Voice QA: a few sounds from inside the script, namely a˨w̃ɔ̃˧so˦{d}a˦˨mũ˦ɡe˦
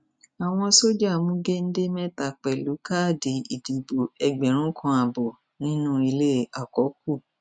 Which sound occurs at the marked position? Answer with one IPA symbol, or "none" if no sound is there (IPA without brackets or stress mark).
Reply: d͡ʒ